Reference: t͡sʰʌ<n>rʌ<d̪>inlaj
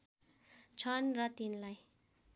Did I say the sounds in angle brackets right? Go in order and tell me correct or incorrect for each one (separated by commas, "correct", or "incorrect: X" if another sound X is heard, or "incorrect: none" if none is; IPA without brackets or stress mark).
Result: correct, incorrect: t̪